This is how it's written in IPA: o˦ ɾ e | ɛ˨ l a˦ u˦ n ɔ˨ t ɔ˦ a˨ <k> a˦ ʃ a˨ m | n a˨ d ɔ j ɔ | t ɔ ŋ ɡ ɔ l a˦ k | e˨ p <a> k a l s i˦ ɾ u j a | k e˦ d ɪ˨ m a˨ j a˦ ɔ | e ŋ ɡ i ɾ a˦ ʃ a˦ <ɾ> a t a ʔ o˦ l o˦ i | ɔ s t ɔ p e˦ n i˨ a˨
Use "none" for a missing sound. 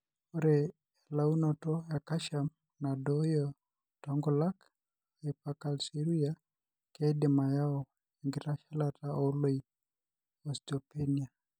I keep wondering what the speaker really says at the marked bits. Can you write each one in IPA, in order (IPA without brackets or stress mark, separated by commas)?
k, a, l